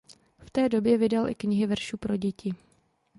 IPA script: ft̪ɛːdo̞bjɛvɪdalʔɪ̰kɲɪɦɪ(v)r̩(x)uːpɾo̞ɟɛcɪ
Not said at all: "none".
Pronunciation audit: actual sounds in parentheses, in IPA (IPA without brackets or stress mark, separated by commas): v, ʃ